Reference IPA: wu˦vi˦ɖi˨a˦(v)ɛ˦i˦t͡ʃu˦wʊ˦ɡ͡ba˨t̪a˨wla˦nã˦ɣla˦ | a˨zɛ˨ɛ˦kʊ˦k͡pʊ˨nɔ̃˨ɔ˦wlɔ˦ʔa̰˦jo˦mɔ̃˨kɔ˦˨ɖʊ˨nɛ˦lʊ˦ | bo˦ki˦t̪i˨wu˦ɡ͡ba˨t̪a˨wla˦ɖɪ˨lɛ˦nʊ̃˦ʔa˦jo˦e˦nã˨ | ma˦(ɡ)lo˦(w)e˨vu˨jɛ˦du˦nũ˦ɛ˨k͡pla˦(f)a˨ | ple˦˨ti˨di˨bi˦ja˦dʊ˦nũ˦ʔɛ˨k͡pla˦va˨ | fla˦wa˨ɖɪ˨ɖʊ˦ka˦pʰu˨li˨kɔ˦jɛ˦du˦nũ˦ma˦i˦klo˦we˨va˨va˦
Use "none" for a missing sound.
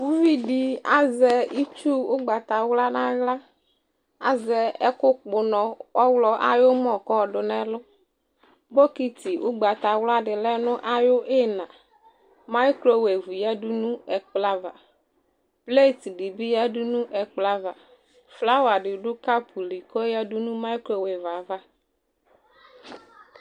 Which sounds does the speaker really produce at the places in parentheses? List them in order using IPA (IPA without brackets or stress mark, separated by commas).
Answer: z, k, w, v